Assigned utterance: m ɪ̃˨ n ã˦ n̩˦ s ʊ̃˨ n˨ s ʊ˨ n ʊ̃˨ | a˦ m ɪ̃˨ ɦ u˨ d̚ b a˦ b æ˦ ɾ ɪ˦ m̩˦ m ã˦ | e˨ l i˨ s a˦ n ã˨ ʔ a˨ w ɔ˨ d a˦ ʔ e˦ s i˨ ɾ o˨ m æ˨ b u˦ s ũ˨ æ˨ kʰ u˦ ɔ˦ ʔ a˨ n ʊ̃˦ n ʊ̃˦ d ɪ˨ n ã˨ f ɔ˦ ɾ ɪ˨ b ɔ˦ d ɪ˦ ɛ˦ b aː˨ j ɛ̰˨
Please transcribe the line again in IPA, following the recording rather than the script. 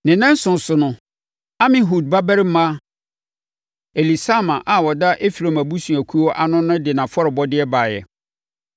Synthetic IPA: n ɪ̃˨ n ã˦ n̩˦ s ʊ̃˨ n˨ s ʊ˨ n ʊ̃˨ | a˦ m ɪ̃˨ ɦ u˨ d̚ b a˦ b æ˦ ɾ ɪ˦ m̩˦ m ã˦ | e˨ l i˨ s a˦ m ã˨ ʔ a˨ w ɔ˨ d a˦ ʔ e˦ f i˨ ɾ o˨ m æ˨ b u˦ s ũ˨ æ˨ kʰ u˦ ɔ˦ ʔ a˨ n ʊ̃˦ n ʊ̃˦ d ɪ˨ n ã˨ f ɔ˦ ɾ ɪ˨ b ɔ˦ d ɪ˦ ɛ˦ b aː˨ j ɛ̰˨